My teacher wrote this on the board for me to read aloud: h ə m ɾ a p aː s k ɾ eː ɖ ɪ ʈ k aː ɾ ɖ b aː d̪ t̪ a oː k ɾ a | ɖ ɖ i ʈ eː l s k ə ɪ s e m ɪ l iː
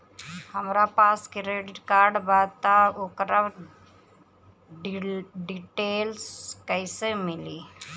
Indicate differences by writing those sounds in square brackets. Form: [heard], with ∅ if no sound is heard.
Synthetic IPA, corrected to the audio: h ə m ɾ a p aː s k ɾ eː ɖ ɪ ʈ k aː ɾ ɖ b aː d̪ t̪ a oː k ɾ a | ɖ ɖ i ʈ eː l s k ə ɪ s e m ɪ l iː